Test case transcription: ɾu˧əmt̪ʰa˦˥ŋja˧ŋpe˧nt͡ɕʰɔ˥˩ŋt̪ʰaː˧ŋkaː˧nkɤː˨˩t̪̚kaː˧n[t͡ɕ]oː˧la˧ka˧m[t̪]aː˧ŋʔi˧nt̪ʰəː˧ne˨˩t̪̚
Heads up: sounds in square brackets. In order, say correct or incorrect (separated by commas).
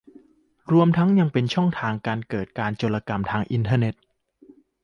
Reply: correct, incorrect